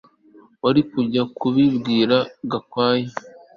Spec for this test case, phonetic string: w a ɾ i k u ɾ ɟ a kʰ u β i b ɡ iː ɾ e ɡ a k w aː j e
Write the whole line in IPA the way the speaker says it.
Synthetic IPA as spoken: w a ɾ i k u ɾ ɟ a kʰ u β i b ɡ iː ɾ a ɡ a k w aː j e